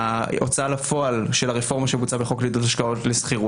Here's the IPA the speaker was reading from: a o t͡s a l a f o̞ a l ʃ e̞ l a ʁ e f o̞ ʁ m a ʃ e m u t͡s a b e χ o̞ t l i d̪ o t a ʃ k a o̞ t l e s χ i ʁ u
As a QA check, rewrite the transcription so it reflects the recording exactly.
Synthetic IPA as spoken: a o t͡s a l a f o̞ a l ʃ e̞ l a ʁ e f o̞ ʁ m a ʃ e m u t͡s a b e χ o̞ k l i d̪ o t a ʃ k a o̞ t l e s χ i ʁ u